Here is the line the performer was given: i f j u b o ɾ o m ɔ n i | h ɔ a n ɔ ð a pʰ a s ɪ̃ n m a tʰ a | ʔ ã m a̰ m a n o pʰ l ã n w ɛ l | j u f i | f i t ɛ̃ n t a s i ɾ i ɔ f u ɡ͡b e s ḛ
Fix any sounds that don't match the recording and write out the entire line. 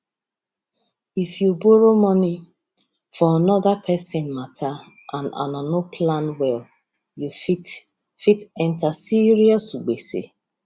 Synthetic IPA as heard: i f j u b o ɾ o m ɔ n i | f ɔ a n ɔ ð a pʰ ɛ s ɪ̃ n m a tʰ a | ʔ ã n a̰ n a n o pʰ l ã n w ɛ l | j u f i | f i t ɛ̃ n t a s i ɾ i ɔ s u ɡ͡b e s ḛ